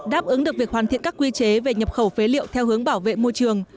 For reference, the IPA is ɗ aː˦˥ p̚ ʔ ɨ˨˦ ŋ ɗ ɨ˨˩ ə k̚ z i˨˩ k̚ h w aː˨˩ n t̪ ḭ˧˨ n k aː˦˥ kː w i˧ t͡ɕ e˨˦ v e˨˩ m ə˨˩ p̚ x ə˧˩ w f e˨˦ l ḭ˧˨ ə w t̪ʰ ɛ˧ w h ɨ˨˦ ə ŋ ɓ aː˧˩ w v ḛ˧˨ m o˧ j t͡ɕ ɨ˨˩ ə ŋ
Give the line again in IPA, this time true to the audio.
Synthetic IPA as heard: ɗ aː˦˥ p̚ ʔ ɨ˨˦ ŋ ɗ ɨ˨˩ ə k̚ v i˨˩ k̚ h w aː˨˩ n t̪ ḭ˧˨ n k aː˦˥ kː w i˧ t͡ɕ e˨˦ v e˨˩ ɲ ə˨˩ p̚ x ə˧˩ w f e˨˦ l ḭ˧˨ ə w t̪ʰ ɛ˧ w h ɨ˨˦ ə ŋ ɓ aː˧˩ w v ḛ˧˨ m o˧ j t͡ɕ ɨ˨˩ ə ŋ